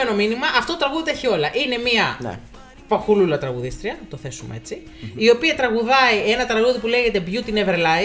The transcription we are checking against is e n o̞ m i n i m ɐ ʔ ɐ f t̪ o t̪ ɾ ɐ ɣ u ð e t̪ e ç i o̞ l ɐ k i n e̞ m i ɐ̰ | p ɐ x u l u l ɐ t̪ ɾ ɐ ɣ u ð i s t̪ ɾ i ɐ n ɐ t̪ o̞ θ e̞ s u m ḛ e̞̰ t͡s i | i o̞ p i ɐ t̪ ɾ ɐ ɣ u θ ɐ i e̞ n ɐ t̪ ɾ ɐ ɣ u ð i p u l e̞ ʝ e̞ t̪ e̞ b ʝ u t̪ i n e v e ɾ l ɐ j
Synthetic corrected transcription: e n o̞ m i n i m ɐ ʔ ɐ f t̪ o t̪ ɾ ɐ ɣ u ð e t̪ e ç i o̞ l ɐ ʔ i n e̞ m i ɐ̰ | p ɐ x u l u l ɐ t̪ ɾ ɐ ɣ u ð i s t̪ ɾ i ɐ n ɐ t̪ o̞ θ e̞ s u m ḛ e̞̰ t͡s i | i o̞ p i ɐ t̪ ɾ ɐ ɣ u ð ɐ i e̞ n ɐ t̪ ɾ ɐ ɣ u ð i p u l e̞ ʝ e̞ t̪ e̞ b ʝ u t̪ i n e v e ɾ l ɐ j